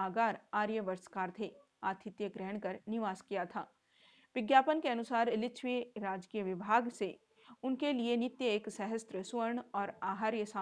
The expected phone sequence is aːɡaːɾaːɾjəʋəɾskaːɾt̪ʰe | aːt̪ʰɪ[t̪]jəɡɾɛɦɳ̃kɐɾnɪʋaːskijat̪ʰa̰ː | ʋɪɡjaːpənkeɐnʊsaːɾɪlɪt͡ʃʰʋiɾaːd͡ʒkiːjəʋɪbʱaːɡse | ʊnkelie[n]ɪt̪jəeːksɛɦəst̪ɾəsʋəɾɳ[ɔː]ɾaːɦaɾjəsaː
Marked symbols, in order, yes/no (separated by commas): yes, yes, yes